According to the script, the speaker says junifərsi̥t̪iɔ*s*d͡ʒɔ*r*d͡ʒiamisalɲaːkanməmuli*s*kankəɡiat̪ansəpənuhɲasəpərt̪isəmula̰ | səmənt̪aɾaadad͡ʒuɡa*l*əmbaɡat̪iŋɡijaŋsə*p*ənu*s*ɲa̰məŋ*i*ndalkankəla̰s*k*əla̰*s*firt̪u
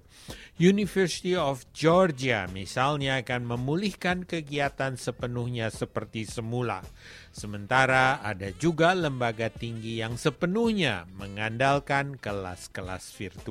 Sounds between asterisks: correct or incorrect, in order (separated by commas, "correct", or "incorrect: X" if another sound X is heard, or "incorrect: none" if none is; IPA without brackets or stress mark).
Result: incorrect: f, correct, incorrect: h, correct, correct, incorrect: h, incorrect: a, correct, correct